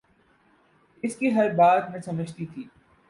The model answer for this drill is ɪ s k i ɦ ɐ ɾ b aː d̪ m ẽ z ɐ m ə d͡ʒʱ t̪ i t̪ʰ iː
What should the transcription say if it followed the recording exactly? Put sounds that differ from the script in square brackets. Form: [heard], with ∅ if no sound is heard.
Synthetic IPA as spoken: ɪ s k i ɦ ɐ ɾ b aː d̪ m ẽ [s] ɐ m ə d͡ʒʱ t̪ i t̪ʰ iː